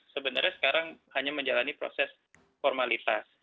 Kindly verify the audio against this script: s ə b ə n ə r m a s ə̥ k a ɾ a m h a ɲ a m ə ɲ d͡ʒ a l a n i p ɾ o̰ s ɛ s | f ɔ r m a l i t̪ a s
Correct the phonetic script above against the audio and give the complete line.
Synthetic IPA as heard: s ə b ə n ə r ɲ a s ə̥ k a ɾ a ŋ h a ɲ a m ə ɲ d͡ʒ a l a n i p ɾ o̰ s ɛ s | f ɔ r m a l i t̪ a s